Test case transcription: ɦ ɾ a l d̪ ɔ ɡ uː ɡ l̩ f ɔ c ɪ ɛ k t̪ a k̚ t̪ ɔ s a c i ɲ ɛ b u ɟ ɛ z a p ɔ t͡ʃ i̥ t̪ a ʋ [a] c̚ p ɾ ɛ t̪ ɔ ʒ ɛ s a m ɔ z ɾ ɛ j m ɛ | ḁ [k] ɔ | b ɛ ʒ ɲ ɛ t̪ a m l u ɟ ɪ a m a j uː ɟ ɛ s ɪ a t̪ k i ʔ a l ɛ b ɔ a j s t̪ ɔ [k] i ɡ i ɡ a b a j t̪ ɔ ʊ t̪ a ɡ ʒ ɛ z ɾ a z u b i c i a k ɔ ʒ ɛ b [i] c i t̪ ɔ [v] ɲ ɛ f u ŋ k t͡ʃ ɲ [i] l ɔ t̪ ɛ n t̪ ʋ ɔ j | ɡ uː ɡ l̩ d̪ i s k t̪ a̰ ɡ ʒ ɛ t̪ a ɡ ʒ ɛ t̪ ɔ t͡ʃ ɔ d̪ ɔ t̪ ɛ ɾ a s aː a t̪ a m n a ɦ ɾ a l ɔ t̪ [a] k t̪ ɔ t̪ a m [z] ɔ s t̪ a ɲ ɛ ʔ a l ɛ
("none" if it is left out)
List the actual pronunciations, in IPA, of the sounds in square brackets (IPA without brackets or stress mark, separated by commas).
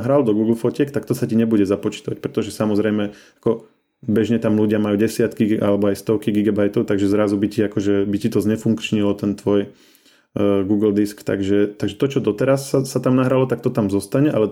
a, k, k, i, z, i, a, z